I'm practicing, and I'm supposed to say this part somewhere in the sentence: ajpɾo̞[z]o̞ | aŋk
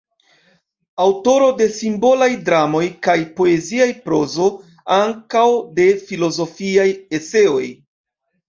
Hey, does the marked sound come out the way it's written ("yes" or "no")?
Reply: yes